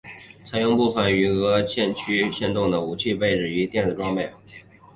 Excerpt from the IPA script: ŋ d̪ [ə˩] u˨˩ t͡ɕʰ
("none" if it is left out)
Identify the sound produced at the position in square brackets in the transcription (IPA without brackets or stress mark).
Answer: ə˩